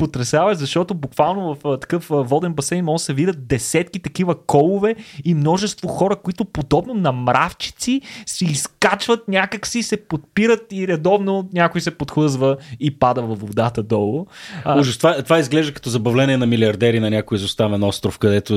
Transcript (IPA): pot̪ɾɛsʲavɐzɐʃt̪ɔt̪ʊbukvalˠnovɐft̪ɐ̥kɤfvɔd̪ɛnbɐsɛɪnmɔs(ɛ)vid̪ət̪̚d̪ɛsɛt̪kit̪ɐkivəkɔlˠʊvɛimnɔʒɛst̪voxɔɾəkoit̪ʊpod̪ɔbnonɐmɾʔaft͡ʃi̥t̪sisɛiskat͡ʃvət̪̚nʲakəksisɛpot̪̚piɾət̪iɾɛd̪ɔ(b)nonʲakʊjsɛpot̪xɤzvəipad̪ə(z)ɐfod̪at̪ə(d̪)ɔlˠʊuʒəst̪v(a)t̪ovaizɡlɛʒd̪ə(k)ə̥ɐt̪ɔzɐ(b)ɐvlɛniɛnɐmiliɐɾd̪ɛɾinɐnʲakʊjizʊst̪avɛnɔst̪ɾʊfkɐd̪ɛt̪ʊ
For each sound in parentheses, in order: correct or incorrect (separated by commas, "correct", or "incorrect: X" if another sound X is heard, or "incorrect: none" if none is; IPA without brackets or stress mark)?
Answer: correct, incorrect: v, incorrect: v, correct, correct, correct, correct